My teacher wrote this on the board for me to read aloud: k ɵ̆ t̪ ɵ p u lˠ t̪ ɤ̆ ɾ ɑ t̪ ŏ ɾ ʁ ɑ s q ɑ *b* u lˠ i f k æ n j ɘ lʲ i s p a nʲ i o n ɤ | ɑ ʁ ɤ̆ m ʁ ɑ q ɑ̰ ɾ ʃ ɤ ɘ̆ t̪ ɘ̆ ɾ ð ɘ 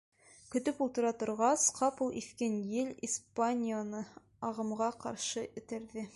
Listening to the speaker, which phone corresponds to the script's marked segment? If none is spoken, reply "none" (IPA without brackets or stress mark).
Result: p